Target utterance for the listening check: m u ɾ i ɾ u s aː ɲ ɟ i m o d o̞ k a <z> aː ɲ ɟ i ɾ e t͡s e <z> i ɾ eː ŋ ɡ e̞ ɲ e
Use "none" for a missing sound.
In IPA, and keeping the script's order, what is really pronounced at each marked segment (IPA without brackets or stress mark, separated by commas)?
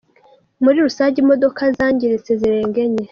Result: z, z